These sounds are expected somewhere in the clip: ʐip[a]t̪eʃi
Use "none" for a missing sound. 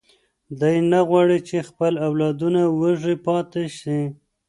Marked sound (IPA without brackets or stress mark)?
ɑ